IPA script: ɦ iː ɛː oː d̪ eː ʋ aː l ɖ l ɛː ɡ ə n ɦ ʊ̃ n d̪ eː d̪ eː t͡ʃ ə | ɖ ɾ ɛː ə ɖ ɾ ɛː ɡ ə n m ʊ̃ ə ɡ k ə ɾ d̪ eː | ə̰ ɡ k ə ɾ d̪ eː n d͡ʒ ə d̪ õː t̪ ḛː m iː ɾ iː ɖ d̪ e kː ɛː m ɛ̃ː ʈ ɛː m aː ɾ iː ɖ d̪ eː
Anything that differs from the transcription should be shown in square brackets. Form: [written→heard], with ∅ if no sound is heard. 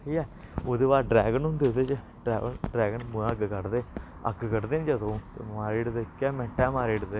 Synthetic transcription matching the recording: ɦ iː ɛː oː d̪ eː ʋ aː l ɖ [l→ɾ] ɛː ɡ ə n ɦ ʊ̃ n d̪ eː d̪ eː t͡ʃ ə | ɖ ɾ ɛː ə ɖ ɾ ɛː ɡ ə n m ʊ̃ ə ɡ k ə ɾ d̪ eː | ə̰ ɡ k ə ɾ d̪ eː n d͡ʒ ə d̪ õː t̪ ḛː m [iː→aː] ɾ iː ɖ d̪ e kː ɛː m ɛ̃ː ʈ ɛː m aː ɾ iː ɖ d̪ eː